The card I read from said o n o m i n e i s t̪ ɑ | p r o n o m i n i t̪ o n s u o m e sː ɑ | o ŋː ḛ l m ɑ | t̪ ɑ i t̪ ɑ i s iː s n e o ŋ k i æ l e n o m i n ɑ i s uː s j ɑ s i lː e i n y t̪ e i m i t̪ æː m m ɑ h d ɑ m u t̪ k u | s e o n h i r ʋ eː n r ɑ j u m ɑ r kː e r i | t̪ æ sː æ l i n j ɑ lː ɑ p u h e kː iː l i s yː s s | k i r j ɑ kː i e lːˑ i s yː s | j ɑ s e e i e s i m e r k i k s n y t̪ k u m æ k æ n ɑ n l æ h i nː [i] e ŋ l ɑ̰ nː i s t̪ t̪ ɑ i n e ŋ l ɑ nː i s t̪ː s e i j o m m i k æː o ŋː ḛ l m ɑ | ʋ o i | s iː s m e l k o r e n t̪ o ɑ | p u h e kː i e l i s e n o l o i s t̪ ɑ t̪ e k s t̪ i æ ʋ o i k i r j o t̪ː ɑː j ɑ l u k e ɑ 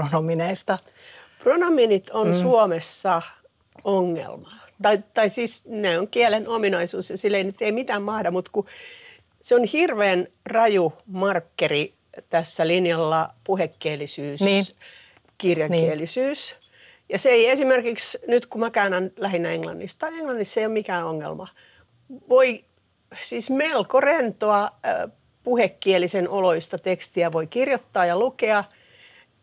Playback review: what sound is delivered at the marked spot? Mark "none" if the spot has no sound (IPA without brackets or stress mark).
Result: æ